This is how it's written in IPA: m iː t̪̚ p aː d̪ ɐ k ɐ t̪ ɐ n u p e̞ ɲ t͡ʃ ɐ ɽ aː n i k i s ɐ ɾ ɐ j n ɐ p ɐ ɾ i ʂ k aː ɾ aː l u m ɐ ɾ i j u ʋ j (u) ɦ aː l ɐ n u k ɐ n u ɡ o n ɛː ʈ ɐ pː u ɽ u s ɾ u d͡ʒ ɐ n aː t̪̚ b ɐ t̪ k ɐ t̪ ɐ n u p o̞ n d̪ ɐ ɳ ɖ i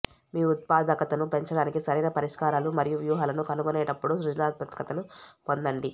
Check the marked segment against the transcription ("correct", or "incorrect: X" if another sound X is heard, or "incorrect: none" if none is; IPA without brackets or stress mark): incorrect: uː